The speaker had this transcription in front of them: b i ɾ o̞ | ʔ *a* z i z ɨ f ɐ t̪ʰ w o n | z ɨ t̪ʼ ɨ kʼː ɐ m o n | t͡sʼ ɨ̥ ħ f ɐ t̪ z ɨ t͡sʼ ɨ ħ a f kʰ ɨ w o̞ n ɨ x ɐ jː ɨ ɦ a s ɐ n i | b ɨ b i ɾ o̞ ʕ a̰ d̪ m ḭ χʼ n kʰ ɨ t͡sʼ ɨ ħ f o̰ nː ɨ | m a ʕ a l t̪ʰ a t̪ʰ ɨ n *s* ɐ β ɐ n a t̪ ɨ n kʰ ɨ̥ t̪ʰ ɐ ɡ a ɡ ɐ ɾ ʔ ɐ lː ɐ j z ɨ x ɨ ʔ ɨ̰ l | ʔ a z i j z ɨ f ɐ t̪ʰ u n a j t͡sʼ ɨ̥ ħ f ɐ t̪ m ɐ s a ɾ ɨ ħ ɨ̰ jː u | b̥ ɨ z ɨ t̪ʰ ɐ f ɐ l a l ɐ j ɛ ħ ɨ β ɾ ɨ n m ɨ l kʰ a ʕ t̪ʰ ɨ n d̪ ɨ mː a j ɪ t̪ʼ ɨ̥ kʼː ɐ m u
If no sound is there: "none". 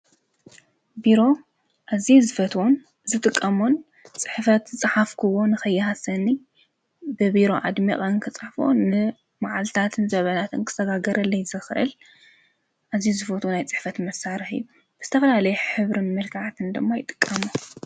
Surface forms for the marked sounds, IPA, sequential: a, z

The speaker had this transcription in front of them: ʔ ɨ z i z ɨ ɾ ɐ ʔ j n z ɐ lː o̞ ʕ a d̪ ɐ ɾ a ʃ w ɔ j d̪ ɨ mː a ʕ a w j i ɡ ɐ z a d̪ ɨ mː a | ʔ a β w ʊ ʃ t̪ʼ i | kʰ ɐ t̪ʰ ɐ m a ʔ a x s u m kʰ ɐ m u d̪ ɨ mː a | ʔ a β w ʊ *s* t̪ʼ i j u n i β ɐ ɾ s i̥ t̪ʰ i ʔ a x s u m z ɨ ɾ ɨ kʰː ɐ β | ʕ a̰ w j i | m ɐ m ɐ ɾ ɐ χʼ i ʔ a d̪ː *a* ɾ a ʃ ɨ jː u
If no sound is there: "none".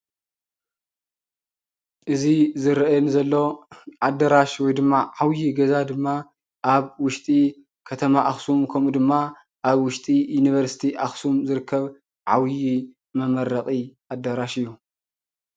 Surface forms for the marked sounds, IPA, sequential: ʃ, ɐ

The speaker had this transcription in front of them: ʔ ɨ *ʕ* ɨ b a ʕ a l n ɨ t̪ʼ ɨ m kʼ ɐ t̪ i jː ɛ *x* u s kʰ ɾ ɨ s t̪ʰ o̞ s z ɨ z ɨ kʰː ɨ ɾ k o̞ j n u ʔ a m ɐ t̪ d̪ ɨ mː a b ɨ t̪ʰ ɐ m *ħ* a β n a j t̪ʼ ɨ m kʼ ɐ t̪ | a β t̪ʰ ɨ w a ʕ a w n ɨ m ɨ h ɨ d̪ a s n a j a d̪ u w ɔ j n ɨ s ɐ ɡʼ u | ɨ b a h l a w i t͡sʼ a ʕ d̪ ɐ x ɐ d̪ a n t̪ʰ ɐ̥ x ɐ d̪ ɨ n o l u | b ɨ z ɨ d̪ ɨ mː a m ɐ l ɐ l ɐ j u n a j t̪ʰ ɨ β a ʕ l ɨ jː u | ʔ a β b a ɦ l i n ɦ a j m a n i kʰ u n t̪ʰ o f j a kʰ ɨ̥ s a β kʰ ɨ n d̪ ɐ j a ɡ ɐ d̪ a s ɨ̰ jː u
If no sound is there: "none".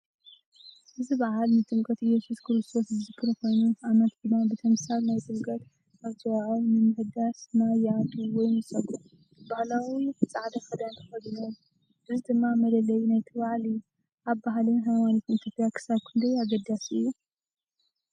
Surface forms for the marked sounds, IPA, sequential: z, s, s

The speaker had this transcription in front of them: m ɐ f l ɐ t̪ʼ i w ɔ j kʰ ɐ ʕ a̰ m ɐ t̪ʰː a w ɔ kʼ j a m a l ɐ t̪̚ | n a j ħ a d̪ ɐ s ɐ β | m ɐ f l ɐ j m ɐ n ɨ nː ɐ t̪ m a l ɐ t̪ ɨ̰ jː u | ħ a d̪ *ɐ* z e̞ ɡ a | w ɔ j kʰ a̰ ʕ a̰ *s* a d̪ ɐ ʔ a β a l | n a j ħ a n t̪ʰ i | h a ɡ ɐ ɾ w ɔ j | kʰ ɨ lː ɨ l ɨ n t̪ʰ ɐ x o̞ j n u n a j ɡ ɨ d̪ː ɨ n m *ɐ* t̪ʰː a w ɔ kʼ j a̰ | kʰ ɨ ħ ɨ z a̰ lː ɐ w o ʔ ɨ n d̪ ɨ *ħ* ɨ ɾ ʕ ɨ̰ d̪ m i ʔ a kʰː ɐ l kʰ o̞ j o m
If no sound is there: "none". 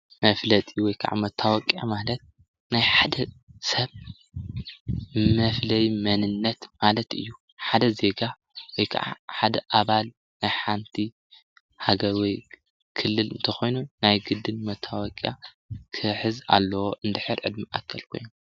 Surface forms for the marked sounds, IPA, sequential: ɐ, ħ, ɐ, ħ

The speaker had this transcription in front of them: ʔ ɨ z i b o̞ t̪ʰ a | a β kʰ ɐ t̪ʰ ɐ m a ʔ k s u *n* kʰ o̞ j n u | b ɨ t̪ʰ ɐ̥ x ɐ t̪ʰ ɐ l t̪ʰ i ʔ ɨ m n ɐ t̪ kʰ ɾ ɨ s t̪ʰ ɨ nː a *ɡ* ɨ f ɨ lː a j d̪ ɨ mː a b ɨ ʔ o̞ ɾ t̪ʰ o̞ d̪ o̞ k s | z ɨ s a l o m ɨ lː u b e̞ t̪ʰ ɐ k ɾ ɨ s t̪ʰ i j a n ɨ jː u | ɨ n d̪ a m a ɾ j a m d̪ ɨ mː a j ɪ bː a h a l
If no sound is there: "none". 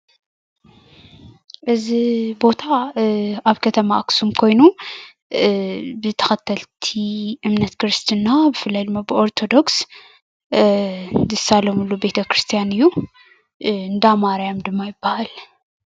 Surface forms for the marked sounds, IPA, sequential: m, b

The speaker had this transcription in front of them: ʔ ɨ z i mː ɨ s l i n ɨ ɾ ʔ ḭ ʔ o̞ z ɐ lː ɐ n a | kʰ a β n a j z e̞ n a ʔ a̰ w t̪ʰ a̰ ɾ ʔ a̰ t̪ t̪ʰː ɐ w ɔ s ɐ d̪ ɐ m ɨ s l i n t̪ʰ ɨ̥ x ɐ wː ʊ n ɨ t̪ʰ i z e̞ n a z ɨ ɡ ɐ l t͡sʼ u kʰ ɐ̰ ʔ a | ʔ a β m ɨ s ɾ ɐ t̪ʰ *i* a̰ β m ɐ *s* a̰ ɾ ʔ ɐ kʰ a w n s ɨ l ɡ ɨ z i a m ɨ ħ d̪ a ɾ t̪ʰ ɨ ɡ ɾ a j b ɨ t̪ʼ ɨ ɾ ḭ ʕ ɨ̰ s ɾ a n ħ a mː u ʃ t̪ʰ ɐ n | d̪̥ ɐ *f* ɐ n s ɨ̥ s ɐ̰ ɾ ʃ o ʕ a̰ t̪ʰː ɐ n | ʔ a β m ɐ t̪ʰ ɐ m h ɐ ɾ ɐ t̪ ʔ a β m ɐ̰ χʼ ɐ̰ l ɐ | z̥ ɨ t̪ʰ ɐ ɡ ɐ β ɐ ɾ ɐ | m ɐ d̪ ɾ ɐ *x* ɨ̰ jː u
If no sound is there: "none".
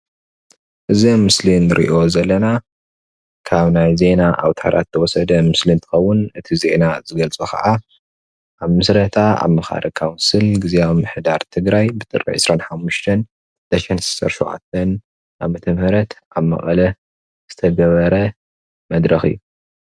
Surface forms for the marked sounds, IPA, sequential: a, x, ʃ, x

